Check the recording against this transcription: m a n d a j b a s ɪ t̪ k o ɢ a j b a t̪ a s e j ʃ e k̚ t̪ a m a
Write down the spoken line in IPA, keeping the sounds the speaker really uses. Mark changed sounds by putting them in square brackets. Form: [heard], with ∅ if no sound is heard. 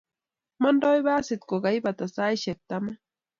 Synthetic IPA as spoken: m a n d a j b a s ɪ t̪ k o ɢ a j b a t̪ a s [a] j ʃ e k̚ t̪ a m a